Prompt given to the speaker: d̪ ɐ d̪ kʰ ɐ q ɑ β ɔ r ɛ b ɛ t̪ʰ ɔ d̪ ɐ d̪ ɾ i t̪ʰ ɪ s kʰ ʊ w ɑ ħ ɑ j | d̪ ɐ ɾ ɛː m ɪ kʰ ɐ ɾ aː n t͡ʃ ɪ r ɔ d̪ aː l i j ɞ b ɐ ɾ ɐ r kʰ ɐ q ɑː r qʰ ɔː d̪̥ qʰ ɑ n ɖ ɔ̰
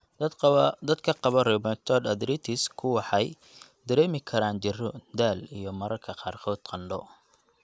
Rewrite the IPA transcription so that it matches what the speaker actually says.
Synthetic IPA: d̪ ɐ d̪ kʰ ɐ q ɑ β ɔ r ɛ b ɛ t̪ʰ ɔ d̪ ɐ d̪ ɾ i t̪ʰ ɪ s kʰ ʊ w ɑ ħ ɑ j | d̪ ɐ ɾ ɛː m ɪ kʰ ɐ ɾ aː n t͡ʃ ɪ r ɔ d̪ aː l i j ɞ m ɐ ɾ ɐ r kʰ ɐ q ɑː r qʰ ɔː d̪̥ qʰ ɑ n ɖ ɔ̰